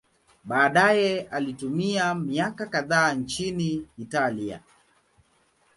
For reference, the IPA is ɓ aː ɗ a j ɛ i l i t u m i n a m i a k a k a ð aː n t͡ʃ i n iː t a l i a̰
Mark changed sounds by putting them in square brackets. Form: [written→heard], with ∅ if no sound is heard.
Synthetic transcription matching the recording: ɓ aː ɗ a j ɛ [i→a] l i t u m i [n→∅] a m i a k a k a ð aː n t͡ʃ i n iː t a l i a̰